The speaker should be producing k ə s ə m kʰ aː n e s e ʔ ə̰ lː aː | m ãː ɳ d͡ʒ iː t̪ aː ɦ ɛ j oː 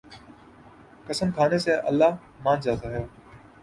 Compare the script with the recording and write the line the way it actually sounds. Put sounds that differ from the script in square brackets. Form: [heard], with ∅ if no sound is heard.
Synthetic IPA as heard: k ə s ə m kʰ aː n e s e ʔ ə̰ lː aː | m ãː [n] d͡ʒ [aː] t̪ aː ɦ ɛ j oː